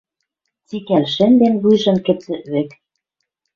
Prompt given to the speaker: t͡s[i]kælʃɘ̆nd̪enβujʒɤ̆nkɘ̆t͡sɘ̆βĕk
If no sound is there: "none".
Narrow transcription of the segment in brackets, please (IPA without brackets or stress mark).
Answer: i